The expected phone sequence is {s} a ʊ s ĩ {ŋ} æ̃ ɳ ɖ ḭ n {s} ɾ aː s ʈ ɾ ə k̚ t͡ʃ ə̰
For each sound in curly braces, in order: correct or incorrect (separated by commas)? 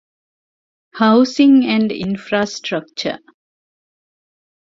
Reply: incorrect, correct, incorrect